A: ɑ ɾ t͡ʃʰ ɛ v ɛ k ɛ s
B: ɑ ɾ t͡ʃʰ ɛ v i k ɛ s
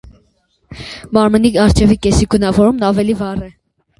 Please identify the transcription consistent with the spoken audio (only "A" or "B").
B